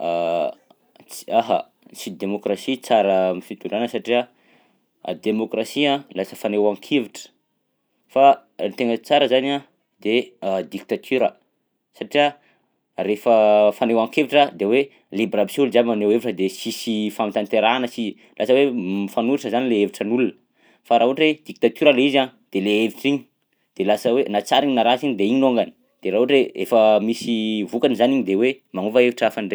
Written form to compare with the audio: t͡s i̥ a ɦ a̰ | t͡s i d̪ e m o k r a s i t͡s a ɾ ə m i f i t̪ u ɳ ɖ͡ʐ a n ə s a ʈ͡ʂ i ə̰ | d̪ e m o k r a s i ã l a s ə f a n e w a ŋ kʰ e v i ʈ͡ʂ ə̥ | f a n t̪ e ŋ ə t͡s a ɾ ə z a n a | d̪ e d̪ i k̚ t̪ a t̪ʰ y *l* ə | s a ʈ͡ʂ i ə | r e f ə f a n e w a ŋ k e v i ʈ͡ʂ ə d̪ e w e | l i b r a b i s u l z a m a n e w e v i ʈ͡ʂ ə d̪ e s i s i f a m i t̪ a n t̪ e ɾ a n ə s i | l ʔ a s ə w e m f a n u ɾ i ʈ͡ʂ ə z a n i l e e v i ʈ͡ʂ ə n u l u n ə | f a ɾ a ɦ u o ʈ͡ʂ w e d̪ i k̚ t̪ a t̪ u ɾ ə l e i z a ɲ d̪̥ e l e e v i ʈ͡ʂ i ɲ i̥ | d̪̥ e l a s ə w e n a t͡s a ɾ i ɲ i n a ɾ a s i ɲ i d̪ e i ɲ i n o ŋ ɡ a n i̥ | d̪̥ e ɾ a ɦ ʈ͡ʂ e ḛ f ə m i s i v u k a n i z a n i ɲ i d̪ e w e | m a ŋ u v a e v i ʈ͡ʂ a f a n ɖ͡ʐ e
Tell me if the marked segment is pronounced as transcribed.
no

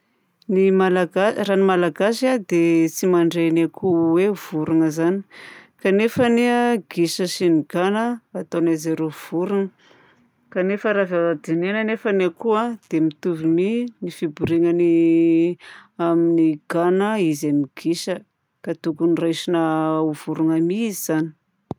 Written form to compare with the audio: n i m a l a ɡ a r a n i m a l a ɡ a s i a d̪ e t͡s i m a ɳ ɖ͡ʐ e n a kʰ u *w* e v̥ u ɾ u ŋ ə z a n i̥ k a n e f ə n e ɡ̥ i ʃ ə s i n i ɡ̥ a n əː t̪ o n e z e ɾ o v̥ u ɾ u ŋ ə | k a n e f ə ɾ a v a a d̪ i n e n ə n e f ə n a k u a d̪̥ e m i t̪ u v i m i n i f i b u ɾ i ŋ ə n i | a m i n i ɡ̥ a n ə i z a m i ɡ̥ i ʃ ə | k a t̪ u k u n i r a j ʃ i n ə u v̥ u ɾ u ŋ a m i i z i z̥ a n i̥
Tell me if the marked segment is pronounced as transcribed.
yes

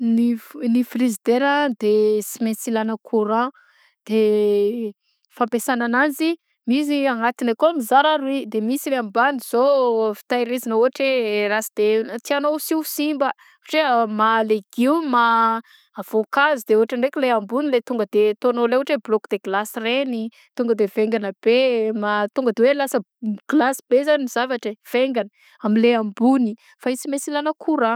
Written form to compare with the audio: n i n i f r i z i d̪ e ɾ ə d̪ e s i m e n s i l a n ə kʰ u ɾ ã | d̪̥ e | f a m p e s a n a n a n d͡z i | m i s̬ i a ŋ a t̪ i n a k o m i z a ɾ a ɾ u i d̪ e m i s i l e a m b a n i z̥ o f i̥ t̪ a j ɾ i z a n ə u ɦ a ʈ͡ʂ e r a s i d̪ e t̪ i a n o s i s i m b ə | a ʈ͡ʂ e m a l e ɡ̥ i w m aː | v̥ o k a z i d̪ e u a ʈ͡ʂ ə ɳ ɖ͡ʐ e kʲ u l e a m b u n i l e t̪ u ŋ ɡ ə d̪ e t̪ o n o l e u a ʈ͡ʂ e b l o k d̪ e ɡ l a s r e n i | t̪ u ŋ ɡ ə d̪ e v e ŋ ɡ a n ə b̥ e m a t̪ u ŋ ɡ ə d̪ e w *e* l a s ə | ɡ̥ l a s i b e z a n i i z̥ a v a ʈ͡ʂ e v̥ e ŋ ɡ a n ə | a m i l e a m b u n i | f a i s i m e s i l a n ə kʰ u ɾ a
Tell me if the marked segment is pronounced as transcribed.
yes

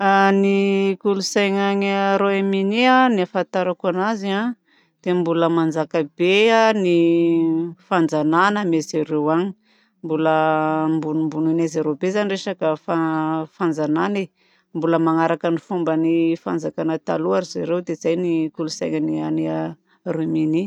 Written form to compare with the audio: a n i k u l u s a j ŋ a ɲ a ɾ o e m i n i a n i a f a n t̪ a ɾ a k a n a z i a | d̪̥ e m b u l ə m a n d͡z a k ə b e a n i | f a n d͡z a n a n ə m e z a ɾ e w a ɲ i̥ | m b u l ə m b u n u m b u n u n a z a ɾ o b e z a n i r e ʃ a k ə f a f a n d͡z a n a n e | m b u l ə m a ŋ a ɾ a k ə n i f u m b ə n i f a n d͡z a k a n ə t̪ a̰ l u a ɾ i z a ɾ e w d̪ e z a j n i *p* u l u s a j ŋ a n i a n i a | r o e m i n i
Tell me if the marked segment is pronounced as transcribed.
no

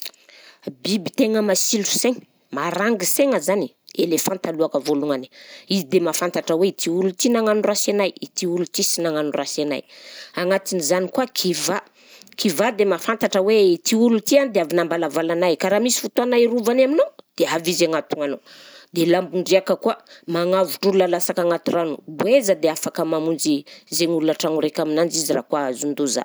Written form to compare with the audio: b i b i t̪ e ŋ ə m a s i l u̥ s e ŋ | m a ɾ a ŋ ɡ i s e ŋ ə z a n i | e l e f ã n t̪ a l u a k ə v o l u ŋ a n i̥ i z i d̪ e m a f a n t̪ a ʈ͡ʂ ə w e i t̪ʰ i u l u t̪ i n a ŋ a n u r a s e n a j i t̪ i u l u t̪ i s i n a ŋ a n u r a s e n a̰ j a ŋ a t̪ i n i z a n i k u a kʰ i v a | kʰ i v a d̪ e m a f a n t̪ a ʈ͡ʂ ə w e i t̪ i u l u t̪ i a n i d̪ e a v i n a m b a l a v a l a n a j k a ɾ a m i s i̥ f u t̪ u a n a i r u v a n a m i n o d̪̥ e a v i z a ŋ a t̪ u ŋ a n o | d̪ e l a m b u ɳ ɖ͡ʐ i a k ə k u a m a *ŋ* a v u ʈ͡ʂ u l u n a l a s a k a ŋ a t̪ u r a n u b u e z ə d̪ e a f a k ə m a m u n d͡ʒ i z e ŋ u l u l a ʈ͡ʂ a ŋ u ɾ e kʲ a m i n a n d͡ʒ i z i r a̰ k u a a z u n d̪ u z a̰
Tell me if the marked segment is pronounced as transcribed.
yes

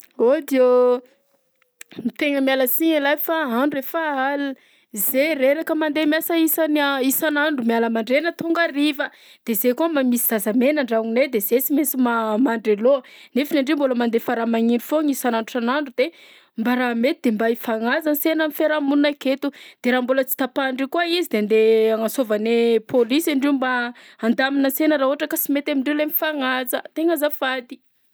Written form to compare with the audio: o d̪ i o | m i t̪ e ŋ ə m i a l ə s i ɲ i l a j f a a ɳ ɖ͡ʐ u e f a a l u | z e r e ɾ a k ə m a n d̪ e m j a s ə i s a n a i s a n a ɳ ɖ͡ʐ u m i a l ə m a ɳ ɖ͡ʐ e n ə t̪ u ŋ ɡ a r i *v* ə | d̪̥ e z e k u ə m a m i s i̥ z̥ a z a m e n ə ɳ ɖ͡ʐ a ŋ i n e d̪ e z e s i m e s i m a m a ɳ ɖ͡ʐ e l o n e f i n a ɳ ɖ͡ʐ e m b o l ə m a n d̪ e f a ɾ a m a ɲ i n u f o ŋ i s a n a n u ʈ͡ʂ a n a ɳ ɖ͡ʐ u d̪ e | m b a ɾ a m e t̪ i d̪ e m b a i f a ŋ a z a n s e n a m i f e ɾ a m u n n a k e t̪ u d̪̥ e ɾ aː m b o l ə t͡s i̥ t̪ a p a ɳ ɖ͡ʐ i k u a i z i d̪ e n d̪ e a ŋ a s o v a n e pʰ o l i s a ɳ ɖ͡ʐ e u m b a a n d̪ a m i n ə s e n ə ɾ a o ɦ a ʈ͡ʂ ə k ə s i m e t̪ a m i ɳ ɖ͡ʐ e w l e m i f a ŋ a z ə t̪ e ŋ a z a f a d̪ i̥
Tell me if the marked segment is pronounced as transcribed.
yes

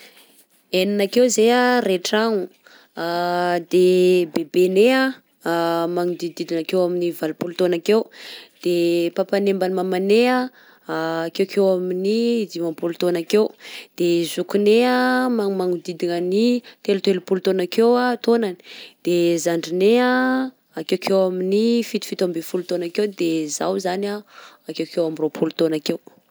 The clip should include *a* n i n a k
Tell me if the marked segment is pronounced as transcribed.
no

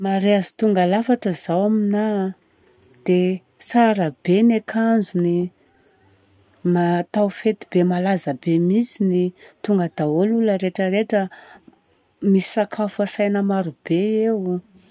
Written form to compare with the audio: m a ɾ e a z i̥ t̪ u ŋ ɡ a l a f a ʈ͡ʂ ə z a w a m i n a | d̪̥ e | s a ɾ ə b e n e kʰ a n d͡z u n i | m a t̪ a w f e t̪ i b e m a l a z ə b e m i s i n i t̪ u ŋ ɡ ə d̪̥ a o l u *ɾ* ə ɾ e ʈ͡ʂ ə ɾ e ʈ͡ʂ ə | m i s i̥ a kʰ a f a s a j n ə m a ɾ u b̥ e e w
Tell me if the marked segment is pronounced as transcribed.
no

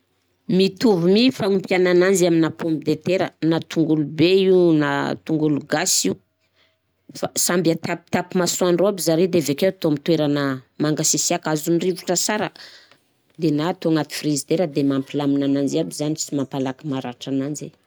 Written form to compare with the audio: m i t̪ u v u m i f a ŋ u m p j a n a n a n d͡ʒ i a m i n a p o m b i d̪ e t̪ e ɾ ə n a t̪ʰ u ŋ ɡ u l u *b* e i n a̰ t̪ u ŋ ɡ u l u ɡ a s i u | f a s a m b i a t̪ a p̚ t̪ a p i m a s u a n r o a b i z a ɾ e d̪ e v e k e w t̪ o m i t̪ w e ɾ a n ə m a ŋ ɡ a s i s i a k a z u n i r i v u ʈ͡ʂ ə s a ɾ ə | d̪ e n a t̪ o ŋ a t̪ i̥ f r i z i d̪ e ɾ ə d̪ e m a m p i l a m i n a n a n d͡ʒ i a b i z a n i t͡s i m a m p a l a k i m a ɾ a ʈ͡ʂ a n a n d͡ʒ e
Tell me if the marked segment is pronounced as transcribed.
yes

